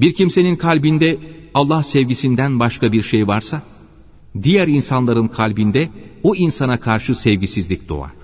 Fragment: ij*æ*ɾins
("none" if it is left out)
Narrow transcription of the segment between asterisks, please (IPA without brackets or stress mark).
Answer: æ